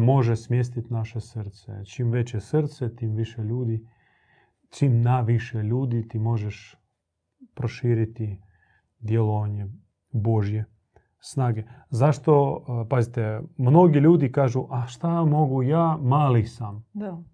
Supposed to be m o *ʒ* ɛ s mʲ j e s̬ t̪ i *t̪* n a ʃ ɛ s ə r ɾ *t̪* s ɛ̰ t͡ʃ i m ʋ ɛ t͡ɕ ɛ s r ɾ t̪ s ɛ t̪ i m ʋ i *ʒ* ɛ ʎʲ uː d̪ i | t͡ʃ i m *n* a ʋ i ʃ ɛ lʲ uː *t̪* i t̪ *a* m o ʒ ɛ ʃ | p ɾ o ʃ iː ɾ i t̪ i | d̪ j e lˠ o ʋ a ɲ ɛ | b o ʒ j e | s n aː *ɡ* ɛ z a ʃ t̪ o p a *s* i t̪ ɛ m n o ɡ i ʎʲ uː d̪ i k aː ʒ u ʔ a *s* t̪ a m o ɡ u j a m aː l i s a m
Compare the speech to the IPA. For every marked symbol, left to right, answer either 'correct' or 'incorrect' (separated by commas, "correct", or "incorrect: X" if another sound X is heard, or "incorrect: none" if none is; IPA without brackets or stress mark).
correct, correct, correct, incorrect: ʃ, correct, incorrect: d̪, incorrect: i, correct, incorrect: z, incorrect: ʃ